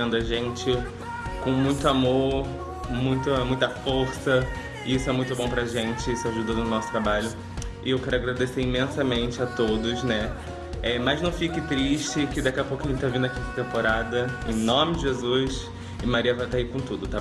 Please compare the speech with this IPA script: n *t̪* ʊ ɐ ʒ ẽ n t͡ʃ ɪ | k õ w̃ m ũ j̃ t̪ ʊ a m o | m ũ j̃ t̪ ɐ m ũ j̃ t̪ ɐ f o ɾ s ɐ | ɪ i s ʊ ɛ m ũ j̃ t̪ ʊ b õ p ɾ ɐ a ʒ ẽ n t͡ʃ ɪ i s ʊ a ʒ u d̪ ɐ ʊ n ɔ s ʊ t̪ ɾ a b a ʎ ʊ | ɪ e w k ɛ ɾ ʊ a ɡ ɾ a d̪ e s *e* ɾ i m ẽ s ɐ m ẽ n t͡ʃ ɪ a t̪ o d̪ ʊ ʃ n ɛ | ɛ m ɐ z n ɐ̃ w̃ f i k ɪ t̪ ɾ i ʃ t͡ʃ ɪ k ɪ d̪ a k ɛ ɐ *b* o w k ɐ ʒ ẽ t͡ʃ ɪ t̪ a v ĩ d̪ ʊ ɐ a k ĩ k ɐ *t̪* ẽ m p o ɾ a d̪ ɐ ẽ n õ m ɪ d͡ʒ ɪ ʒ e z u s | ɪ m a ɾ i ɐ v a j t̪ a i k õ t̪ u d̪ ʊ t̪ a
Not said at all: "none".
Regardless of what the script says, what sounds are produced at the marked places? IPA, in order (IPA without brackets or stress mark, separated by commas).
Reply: d̪, e, p, t̪